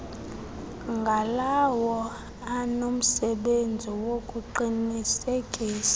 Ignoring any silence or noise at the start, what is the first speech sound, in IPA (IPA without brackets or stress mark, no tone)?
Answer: ŋ